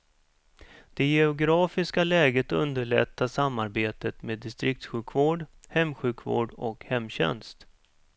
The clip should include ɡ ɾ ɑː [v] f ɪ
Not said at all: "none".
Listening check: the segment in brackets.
none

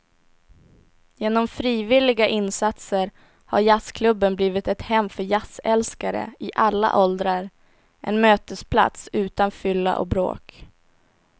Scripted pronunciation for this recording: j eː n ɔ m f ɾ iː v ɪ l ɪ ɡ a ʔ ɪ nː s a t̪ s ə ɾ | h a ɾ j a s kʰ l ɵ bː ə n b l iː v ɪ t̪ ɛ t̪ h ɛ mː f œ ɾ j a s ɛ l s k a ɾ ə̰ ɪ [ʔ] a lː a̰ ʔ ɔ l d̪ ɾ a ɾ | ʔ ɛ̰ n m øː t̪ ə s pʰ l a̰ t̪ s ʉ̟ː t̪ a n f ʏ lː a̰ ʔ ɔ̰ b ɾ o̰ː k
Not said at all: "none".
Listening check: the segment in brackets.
ʔ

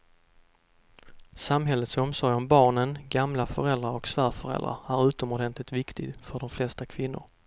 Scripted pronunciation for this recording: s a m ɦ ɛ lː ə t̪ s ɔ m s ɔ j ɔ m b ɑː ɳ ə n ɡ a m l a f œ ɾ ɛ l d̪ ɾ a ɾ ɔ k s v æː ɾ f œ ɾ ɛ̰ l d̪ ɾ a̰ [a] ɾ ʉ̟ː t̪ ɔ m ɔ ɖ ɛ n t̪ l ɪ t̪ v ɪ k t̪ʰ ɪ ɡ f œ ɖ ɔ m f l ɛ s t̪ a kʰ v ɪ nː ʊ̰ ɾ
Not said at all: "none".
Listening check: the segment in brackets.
æ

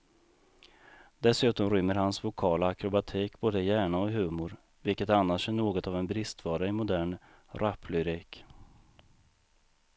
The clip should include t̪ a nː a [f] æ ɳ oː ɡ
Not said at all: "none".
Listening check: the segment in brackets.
ʂ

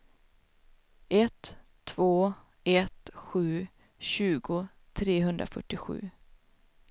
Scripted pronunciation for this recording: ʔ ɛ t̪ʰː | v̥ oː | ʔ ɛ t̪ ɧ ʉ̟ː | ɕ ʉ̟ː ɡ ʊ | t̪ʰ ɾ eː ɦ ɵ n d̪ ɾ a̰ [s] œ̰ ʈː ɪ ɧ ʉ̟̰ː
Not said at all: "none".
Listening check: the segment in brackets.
f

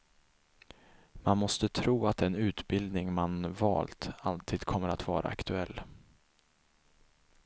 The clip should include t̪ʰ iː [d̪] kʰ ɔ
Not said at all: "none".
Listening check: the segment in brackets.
d̪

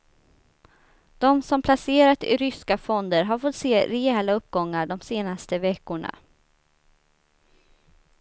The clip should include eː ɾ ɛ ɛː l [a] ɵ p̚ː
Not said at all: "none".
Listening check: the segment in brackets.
a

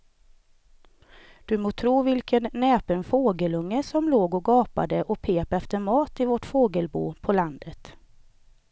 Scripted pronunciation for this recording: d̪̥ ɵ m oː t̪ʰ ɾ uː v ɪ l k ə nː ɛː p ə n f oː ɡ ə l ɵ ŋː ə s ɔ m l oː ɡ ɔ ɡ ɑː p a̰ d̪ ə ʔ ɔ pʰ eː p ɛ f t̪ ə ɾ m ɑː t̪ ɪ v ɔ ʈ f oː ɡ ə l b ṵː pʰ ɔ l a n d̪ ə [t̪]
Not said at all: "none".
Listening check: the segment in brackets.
t̪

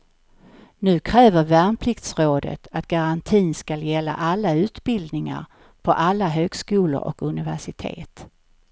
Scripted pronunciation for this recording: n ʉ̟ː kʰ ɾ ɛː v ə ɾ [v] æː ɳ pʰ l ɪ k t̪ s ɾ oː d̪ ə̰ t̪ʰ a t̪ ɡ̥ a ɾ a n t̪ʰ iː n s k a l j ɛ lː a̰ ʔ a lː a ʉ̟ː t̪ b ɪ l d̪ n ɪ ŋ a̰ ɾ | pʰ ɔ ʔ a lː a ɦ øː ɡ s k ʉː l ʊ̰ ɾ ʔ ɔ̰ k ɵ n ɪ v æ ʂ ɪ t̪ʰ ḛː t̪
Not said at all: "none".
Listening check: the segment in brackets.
v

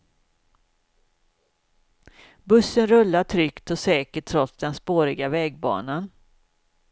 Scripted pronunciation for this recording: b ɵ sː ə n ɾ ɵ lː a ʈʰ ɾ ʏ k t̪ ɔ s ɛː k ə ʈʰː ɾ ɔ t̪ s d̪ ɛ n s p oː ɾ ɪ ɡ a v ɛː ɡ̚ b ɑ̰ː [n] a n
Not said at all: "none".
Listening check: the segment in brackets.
n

